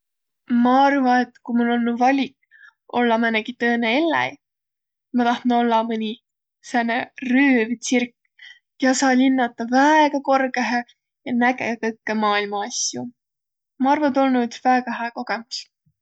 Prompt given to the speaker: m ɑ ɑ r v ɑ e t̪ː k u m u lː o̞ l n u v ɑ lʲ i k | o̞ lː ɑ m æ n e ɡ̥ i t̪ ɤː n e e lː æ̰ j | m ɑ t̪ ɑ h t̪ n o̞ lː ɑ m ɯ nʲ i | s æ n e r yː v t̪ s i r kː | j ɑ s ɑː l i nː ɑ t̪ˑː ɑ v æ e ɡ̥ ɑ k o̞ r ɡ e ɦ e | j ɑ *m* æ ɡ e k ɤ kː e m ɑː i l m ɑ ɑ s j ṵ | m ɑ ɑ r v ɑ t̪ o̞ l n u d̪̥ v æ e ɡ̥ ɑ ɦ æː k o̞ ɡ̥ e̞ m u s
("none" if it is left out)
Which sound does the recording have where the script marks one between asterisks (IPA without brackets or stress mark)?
n